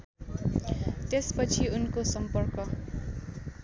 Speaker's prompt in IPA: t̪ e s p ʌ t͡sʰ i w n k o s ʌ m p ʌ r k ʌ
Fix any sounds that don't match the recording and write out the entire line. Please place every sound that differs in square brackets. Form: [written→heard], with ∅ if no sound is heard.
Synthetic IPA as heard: t̪ e s p ʌ t͡sʰ i [w→u] n k o s ʌ m p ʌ r k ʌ